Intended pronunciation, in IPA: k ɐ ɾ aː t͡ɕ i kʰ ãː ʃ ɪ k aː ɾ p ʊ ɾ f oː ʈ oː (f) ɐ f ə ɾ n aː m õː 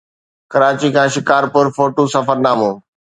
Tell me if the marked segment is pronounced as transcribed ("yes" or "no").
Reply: no